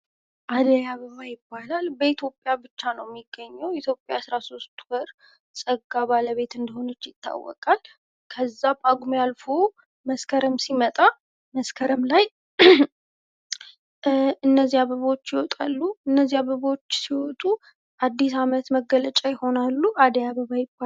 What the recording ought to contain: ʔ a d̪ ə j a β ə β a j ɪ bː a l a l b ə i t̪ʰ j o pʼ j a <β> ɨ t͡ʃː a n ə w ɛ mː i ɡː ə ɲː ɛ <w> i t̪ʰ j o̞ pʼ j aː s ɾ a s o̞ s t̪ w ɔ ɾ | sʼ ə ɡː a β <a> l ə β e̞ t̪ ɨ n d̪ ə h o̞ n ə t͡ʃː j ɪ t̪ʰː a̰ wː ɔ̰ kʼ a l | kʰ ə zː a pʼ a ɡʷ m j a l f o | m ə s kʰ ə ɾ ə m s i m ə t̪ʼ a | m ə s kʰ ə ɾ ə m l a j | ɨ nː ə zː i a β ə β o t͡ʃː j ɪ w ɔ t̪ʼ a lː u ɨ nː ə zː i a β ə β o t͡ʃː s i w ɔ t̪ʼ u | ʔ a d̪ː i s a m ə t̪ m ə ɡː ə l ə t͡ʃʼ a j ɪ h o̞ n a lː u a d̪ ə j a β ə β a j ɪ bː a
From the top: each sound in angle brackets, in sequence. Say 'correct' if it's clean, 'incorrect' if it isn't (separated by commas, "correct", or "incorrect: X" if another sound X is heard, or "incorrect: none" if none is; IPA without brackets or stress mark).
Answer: incorrect: b, correct, correct